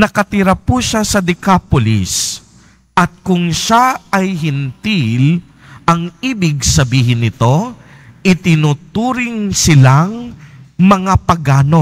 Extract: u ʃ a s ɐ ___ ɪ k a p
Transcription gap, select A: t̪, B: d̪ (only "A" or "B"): B